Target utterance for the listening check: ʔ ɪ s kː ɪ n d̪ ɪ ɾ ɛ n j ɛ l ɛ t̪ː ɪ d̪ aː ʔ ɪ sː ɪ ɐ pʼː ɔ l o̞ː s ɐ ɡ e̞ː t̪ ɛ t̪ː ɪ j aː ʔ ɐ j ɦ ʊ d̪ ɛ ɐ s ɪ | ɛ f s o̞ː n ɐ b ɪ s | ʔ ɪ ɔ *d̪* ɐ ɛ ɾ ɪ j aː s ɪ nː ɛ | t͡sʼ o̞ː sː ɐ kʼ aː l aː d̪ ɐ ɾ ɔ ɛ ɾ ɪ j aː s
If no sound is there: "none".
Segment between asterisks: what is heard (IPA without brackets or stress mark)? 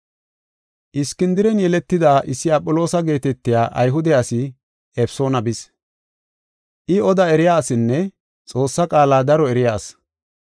d̪